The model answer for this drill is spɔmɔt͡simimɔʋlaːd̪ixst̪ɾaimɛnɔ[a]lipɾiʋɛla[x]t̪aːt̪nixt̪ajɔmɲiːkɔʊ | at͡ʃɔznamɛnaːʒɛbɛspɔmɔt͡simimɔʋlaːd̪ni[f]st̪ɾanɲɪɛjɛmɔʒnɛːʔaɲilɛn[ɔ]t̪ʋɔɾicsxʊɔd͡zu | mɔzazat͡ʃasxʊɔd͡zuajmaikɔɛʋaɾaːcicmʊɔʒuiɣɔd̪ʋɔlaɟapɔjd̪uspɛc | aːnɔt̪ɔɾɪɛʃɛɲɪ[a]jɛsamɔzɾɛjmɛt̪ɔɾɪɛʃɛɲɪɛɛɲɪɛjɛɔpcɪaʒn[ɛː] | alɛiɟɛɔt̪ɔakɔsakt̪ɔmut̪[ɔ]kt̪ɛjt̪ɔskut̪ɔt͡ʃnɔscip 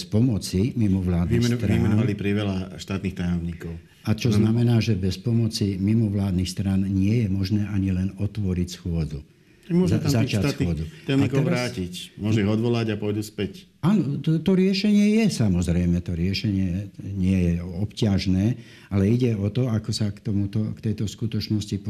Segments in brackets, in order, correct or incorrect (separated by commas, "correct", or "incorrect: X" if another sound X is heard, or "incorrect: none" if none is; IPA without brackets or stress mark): correct, incorrect: ʃ, incorrect: x, correct, incorrect: ɛ, correct, correct